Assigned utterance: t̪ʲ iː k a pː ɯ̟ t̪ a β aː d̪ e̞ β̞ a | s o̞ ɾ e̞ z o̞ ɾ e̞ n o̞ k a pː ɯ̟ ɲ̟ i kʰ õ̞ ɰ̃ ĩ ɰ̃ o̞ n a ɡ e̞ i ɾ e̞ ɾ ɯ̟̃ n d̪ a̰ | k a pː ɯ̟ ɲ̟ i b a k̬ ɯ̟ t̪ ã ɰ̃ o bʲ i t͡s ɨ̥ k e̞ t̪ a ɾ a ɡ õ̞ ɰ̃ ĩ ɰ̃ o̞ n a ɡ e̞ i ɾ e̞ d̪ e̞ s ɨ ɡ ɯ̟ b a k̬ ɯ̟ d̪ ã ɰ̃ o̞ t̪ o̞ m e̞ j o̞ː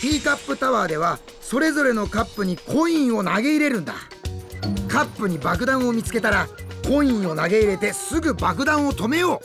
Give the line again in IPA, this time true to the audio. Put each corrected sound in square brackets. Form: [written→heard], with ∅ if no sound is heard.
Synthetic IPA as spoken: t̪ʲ iː k a pː ɯ̟ t̪ a β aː d̪ e̞ β̞ a | s o̞ ɾ e̞ z o̞ ɾ e̞ n o̞ k a pː ɯ̟ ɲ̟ i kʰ õ̞ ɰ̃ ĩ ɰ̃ o̞ n a ɡ e̞ i ɾ e̞ ɾ ɯ̟̃ n d̪ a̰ | k a pː ɯ̟ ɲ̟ i b a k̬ ɯ̟ [t̪→d̪] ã ɰ̃ o [bʲ→mʲ] i t͡s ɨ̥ k e̞ t̪ a ɾ a [ɡ→k] õ̞ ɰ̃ ĩ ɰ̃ o̞ n a ɡ e̞ i ɾ e̞ [d̪→t̪] e̞ s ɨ ɡ ɯ̟ b a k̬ ɯ̟ d̪ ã ɰ̃ o̞ t̪ o̞ m e̞ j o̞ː